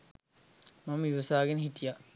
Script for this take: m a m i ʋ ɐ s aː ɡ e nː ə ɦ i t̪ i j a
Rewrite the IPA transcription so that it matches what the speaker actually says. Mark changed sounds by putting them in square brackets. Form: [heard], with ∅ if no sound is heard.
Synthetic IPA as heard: m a m i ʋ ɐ s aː ɡ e [n] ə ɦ i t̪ i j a